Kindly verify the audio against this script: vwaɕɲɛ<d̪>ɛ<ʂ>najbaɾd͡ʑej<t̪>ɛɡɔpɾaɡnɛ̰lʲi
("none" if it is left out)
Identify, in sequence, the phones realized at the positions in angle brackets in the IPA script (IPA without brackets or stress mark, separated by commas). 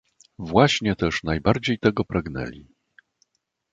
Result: t̪, ʂ, t̪